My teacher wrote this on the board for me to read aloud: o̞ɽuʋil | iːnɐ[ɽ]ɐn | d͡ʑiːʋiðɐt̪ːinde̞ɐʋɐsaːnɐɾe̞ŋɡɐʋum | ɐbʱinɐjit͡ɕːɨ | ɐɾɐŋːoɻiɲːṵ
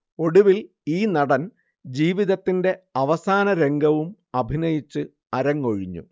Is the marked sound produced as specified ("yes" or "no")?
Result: yes